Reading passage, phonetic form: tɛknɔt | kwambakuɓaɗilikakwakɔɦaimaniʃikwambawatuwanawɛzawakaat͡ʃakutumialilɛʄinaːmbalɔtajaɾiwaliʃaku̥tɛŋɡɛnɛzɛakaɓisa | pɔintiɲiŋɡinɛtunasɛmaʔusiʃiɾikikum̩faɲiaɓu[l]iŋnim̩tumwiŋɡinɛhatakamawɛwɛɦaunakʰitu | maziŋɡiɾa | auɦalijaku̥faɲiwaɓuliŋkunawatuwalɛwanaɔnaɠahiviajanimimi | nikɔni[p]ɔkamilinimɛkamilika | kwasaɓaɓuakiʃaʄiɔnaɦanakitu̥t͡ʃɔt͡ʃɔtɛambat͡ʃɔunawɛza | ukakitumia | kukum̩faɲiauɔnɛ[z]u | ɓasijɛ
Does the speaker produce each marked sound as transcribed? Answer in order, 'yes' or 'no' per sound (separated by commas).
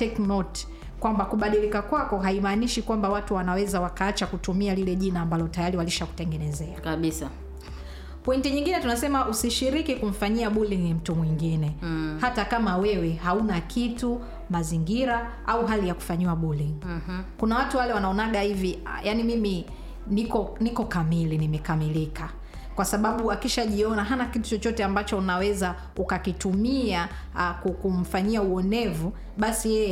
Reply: yes, no, no